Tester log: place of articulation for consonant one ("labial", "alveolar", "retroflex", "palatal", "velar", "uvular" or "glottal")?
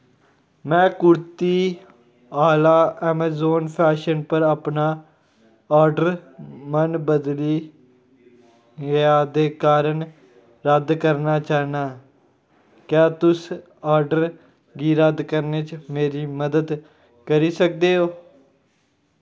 labial